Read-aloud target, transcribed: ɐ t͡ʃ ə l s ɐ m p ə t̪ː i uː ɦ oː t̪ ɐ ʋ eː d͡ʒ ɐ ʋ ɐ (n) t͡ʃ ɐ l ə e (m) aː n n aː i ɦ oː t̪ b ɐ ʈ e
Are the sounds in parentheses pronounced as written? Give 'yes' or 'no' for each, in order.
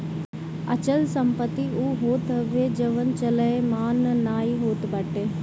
yes, yes

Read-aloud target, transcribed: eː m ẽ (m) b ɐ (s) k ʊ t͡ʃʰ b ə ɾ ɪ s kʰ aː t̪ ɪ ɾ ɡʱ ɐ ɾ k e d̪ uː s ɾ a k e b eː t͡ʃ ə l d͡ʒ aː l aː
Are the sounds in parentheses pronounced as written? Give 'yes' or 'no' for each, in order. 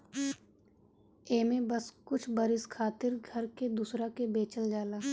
no, yes

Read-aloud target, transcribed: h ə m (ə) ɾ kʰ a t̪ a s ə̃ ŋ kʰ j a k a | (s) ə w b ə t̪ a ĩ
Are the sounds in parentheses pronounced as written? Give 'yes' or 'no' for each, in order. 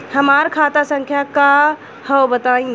no, no

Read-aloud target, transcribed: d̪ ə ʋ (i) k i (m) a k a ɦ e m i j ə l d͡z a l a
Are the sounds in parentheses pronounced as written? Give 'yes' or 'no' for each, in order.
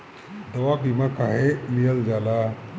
no, yes

